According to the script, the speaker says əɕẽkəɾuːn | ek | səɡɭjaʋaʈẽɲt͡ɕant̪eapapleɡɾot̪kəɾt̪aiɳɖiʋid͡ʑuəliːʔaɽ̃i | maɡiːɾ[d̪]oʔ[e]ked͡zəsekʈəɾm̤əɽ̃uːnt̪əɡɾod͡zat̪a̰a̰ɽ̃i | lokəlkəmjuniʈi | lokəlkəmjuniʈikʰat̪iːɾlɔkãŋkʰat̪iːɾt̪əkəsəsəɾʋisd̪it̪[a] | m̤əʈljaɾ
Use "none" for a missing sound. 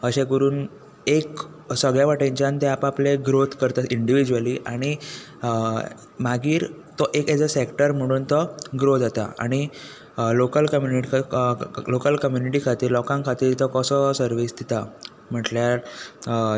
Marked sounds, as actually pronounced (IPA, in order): t̪, e, a

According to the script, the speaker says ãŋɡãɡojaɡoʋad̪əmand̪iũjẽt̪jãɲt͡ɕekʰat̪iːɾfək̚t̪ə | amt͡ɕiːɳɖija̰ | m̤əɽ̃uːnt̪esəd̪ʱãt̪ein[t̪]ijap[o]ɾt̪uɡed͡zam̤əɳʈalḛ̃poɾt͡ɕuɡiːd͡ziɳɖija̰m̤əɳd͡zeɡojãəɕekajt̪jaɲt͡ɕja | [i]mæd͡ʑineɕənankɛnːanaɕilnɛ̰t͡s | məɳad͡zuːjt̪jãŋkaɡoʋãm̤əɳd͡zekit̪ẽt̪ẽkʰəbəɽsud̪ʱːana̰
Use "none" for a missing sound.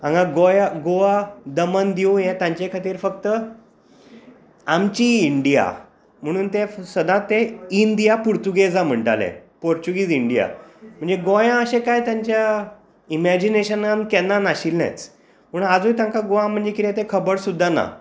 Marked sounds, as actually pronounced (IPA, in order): d̪, u, i

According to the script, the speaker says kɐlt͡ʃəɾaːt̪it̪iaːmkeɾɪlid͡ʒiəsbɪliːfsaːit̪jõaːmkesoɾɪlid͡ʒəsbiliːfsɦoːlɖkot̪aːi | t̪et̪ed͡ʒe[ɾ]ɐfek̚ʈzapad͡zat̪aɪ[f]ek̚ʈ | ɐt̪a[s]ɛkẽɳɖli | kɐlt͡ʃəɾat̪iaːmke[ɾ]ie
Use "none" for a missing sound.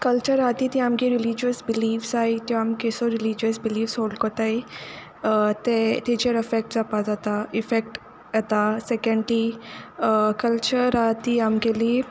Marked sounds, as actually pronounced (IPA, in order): ɾ, f, s, l

